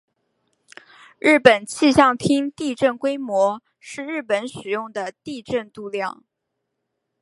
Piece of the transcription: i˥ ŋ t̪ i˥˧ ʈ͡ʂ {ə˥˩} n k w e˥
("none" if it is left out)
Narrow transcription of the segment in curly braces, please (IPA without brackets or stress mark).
ə˥˩